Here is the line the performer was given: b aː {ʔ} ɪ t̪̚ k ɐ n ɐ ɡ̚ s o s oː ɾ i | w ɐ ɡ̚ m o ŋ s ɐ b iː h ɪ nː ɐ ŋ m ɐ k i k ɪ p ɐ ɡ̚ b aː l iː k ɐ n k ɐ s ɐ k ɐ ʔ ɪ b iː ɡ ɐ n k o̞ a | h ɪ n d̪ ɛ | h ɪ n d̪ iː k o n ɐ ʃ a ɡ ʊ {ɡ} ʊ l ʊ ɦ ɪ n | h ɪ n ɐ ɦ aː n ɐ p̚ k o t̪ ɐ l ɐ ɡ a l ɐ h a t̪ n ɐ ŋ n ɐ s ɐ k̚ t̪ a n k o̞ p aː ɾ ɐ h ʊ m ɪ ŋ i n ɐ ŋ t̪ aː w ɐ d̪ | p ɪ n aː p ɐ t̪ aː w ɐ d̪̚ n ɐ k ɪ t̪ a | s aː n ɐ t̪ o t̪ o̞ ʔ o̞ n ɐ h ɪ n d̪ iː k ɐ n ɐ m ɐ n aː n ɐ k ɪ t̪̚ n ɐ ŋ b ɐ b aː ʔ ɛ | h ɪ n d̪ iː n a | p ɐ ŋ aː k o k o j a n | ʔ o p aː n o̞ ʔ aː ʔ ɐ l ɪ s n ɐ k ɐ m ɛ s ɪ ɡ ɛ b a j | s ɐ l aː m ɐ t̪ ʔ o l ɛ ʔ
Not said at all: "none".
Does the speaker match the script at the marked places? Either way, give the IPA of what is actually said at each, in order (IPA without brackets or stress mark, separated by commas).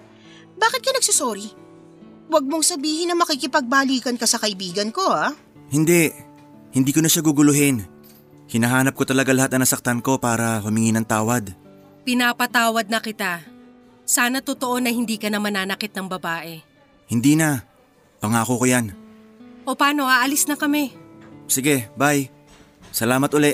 k, ɡ